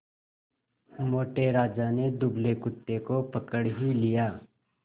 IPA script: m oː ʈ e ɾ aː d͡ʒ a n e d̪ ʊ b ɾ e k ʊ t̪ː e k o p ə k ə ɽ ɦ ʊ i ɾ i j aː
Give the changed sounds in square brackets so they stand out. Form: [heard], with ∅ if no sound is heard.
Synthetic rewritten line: m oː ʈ e ɾ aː d͡ʒ a n e d̪ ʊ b [l] e k ʊ t̪ː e k o p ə k ə ɽ ɦ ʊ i [l] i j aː